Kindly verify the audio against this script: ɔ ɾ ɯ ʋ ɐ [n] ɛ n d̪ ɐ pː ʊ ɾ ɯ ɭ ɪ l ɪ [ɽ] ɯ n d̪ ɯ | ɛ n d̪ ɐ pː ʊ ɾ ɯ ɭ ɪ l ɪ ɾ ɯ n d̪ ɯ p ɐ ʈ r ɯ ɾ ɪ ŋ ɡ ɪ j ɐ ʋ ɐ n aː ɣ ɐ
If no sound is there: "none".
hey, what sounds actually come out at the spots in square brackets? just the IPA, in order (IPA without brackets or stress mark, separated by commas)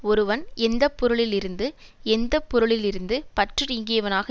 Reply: n, ɾ